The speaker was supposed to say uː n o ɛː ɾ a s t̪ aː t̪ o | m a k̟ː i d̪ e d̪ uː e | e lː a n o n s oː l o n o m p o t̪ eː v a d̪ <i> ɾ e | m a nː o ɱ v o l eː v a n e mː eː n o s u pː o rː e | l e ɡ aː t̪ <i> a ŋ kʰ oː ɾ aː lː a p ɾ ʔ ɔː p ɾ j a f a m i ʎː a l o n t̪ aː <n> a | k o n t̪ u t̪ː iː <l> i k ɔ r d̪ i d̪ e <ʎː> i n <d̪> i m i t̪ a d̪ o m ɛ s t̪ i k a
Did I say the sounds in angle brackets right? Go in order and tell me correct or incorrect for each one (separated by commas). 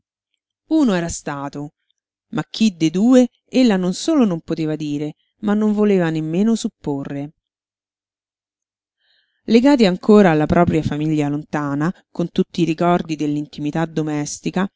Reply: incorrect, correct, correct, incorrect, incorrect, incorrect